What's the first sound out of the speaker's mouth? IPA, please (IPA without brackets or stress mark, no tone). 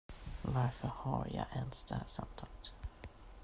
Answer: v